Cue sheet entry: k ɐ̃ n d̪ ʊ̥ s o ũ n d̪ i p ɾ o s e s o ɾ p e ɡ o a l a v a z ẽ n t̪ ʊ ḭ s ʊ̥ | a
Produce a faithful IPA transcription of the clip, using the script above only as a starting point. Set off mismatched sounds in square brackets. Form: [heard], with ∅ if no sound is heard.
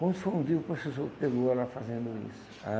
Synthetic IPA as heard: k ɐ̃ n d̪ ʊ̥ [f] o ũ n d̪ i p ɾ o s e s o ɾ p e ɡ o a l a [f] a z ẽ n [d̪] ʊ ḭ s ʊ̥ | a